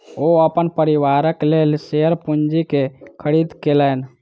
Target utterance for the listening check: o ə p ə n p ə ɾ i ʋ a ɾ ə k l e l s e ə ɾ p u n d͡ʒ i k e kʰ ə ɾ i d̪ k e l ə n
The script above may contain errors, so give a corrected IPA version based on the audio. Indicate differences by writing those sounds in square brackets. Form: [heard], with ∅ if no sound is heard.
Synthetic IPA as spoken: o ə p ə n p ə ɾ i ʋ a ɾ ə k l e l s e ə ɾ p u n d͡ʒ i k e kʰ ə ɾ i d̪ k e l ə n